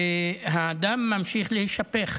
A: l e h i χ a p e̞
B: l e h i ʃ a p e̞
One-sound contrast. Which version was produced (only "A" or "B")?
B